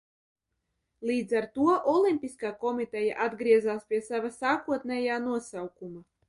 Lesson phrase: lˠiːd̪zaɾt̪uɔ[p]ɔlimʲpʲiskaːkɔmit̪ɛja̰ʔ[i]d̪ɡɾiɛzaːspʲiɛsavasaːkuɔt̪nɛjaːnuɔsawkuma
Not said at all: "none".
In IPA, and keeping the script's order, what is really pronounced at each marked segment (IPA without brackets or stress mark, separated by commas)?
ʔ, a